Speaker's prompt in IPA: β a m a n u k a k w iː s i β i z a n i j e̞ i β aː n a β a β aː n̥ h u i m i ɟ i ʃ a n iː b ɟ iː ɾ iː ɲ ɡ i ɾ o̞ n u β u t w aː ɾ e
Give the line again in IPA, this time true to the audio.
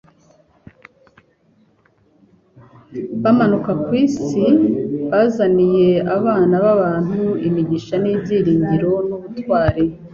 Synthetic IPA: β a m a n u k a k w iː s i β a z a n i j e̞ a β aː n a β a β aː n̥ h u i m i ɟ i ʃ a n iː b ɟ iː ɾ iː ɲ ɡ i ɾ o̞ n u β u t w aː ɾ e

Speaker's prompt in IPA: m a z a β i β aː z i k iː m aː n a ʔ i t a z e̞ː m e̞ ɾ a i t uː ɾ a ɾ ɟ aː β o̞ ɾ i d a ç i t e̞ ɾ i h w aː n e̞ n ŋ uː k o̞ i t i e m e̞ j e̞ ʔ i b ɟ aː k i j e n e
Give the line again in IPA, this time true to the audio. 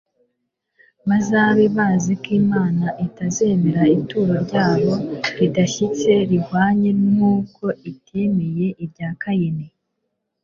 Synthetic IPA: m a z a β i β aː z i k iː m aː n a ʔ i t a z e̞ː m e̞ ɾ a i t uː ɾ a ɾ ɟ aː β o̞ ɾ i d a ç i t͡s e̞ ɾ i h w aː ɲ e̞ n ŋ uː k o̞ i t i e m e̞ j e̞ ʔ i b ɟ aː k a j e n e

